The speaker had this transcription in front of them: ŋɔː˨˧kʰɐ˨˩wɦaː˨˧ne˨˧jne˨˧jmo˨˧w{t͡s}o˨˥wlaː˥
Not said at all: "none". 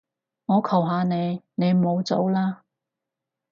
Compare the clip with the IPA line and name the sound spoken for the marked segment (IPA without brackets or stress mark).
t͡s